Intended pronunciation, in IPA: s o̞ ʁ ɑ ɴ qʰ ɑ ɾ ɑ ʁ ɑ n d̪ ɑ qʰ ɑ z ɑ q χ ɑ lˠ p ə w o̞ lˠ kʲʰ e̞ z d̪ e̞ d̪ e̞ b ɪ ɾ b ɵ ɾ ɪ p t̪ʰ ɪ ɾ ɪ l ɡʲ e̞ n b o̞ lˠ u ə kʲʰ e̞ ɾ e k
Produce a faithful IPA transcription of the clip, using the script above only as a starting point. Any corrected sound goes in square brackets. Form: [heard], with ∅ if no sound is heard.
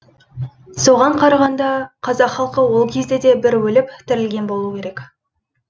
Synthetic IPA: s o̞ ʁ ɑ ɴ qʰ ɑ ɾ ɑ ʁ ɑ n d̪ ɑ qʰ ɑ z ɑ q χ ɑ lˠ [q] ə w o̞ lˠ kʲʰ e̞ z d̪ e̞ d̪ e̞ b ɪ ɾ [w] ɵ [l] ɪ p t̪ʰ ɪ ɾ ɪ l ɡʲ e̞ n b o̞ lˠ u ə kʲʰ e̞ ɾ e k